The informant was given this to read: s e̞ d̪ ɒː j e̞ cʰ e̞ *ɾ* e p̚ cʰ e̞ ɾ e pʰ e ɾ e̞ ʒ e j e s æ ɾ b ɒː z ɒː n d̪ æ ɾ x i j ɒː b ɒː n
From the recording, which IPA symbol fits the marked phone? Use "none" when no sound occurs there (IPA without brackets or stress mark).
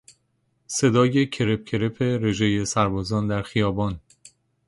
ɾ